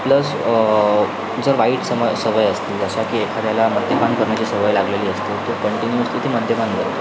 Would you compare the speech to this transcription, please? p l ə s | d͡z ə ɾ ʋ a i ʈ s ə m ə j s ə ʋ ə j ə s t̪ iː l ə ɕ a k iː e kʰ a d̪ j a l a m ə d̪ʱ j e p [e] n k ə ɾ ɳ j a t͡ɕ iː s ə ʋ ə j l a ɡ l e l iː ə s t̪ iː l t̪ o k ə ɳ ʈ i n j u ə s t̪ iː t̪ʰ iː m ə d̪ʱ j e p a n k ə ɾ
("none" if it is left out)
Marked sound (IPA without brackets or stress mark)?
a